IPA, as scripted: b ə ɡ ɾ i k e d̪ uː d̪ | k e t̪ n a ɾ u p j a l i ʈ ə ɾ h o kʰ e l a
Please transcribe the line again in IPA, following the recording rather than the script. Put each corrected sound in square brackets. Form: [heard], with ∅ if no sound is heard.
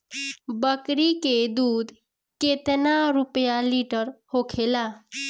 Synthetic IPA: b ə [k] ɾ i k e d̪ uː d̪ | k e t̪ n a ɾ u p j a l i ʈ ə ɾ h o kʰ e l a